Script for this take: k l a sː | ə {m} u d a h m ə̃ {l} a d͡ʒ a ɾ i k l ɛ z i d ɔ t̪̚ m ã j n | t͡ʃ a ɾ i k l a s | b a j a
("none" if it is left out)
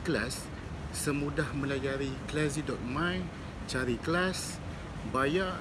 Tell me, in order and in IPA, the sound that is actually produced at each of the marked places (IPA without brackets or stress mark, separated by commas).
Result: m, l